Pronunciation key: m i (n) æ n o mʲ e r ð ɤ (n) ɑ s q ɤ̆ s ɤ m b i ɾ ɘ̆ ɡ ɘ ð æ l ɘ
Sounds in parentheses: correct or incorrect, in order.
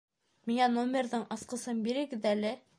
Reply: incorrect: ŋ, incorrect: ɴ

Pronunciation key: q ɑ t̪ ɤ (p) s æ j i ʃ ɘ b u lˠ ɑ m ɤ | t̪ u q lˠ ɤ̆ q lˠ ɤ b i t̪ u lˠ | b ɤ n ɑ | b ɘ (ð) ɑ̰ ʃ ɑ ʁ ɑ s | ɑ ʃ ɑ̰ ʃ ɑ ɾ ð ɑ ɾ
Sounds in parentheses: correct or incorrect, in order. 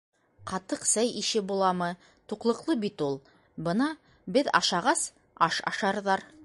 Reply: incorrect: q, correct

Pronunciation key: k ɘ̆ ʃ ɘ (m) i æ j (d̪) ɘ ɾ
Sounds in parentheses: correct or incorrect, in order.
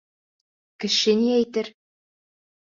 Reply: incorrect: n, incorrect: t̪

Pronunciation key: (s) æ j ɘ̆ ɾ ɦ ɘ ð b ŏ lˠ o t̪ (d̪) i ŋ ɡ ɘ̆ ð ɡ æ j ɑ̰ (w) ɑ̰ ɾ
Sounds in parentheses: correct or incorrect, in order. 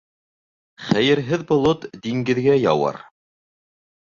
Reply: incorrect: χ, correct, correct

